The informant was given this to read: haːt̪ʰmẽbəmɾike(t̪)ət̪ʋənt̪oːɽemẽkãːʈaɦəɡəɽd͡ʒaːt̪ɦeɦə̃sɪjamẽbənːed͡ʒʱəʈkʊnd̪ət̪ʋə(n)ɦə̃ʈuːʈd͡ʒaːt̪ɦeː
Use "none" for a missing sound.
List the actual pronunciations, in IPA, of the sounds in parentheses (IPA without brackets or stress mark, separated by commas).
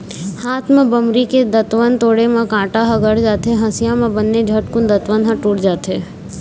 d̪, n